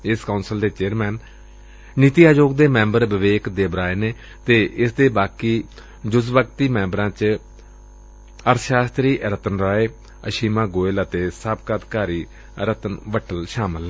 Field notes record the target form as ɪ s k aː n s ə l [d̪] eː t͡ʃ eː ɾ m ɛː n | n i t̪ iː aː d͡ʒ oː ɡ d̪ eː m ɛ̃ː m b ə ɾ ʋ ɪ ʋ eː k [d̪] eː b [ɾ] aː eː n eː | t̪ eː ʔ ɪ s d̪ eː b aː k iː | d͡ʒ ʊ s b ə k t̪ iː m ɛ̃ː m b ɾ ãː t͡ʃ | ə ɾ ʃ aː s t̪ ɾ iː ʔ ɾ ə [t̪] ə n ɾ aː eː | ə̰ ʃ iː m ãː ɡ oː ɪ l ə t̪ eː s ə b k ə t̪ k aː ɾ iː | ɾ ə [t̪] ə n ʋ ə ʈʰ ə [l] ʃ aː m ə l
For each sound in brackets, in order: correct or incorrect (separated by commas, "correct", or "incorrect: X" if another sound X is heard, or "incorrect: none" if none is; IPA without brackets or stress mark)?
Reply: correct, correct, correct, correct, correct, correct